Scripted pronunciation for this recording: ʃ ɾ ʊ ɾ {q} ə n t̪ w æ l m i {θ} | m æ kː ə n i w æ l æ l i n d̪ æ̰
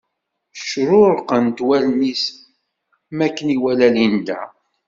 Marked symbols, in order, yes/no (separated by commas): yes, no